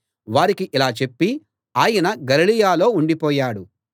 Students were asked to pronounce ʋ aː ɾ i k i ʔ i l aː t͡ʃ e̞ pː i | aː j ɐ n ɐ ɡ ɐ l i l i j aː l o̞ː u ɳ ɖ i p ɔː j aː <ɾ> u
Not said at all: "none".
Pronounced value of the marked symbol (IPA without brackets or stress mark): ɽ